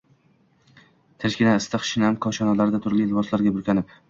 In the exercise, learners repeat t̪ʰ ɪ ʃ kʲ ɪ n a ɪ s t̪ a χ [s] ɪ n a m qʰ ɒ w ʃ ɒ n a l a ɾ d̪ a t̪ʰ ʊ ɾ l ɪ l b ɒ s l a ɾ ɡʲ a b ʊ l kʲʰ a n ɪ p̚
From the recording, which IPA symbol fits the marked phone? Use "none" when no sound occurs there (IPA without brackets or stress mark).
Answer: ʃ